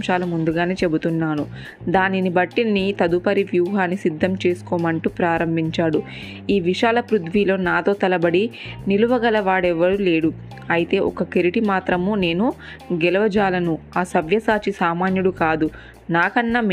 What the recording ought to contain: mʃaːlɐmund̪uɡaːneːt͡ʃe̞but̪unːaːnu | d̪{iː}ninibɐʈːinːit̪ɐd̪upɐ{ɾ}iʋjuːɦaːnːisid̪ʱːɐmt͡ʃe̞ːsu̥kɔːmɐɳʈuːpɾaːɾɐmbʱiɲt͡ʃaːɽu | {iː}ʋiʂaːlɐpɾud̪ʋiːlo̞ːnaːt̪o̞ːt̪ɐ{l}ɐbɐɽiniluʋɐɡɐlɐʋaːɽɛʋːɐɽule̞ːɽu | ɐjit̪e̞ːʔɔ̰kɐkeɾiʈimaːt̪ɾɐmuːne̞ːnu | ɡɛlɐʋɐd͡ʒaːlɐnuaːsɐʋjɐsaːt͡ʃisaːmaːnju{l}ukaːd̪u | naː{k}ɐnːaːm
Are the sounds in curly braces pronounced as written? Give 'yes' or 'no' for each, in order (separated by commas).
no, yes, yes, yes, no, yes